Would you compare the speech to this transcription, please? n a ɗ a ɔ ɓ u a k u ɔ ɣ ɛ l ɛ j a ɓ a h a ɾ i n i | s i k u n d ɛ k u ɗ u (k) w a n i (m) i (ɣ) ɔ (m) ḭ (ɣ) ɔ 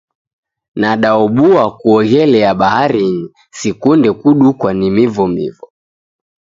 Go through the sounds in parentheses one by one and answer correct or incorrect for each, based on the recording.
correct, correct, incorrect: v, correct, incorrect: v

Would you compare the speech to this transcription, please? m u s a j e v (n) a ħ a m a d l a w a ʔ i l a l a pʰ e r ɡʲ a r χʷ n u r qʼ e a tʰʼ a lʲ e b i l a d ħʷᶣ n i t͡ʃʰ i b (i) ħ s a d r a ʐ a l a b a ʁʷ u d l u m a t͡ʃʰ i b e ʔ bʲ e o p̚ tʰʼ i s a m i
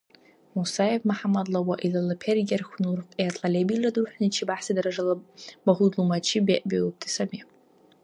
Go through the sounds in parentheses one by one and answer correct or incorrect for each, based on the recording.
incorrect: m, incorrect: a

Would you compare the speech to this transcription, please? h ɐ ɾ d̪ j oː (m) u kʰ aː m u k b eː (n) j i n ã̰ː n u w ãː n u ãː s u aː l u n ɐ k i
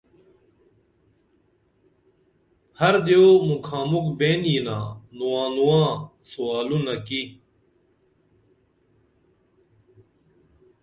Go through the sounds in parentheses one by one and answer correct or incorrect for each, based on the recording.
correct, correct

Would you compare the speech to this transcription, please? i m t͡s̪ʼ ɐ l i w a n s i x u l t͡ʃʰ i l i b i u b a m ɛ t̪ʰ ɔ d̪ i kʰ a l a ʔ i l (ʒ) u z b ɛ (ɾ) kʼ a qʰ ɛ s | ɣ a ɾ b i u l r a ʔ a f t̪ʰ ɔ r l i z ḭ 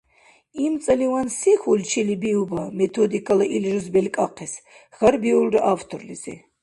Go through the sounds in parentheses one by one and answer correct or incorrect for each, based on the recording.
correct, incorrect: l

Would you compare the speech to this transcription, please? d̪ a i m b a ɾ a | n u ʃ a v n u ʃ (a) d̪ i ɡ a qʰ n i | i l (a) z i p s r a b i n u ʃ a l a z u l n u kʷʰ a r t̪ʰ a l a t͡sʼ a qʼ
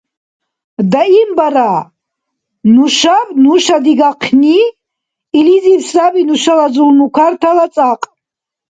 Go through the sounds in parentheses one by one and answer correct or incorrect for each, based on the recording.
correct, incorrect: i

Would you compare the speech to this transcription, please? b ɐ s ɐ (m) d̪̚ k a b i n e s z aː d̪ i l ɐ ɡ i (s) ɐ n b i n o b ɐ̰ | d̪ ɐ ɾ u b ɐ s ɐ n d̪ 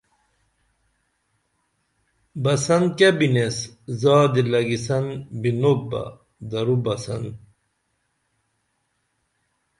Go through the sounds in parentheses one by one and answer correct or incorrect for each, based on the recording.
incorrect: n, correct

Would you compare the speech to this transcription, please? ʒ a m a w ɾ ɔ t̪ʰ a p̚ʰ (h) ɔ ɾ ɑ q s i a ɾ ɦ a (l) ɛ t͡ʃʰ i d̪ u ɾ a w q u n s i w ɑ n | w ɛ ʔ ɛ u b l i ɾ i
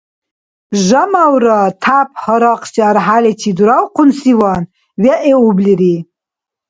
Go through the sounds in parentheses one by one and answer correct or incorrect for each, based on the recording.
correct, correct

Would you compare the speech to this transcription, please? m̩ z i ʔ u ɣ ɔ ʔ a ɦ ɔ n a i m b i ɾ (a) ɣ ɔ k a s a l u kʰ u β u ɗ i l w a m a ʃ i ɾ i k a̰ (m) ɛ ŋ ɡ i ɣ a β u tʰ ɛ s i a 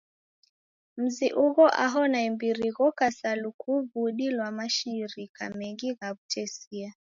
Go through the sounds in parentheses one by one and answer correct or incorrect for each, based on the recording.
incorrect: i, correct

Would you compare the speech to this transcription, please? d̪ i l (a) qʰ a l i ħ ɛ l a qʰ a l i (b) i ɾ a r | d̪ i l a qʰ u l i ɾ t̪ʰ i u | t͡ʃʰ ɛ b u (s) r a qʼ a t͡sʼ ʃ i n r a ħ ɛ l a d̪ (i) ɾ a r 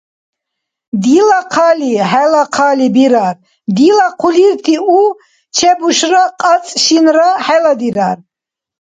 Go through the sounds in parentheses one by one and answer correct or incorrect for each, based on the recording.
correct, correct, incorrect: ʃ, correct

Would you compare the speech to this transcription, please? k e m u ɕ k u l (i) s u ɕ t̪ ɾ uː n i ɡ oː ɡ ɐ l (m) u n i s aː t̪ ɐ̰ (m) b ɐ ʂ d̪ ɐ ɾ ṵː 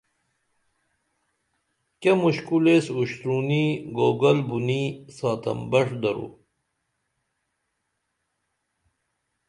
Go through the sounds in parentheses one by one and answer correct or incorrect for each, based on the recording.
incorrect: e, incorrect: b, correct

